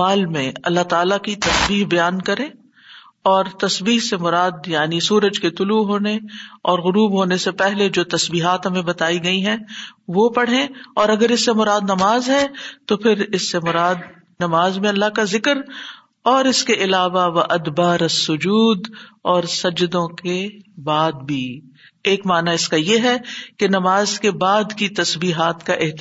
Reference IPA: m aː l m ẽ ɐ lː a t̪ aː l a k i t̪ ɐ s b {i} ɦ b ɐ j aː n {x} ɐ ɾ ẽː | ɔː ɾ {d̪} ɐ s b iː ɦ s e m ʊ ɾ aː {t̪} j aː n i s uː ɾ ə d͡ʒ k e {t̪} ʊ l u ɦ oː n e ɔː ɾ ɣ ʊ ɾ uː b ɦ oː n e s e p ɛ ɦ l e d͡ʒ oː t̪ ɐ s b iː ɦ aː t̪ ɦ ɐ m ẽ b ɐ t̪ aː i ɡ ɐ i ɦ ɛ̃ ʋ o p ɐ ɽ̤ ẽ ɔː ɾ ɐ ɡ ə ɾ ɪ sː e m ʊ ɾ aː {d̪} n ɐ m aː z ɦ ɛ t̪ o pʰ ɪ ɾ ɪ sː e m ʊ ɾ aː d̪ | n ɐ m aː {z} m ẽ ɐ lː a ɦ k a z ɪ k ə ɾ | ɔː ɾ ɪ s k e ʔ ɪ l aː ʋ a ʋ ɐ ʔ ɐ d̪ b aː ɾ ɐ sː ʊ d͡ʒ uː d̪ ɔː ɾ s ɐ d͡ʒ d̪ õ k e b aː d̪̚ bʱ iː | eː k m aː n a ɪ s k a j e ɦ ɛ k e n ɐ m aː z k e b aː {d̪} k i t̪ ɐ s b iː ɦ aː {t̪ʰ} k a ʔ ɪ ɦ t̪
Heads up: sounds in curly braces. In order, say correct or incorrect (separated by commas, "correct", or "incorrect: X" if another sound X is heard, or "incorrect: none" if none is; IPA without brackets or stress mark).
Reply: incorrect: iː, incorrect: k, incorrect: t̪, incorrect: d̪, correct, correct, correct, correct, incorrect: t̪